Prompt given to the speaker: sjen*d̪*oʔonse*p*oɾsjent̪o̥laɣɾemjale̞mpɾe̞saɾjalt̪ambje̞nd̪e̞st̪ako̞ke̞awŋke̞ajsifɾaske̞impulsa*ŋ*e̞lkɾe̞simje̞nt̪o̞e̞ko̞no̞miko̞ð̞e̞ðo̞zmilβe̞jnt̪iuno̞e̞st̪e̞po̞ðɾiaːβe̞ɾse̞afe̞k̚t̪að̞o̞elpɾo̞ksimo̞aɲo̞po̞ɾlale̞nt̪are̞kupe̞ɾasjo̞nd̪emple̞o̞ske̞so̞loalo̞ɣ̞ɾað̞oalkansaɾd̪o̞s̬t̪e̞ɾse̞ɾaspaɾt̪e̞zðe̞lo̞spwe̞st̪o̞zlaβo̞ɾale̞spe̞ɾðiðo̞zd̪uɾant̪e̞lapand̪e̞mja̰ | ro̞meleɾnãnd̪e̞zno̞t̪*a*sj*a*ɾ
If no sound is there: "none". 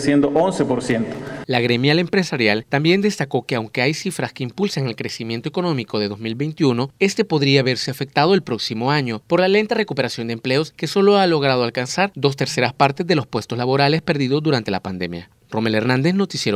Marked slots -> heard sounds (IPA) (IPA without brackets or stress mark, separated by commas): d̪, p, ŋ, i, e